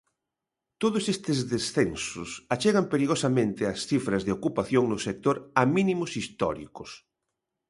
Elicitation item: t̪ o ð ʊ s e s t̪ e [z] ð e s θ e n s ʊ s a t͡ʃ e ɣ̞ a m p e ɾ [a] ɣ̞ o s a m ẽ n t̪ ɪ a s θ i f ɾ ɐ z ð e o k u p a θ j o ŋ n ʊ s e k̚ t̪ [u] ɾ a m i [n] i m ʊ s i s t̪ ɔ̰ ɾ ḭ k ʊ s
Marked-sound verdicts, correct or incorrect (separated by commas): correct, incorrect, incorrect, correct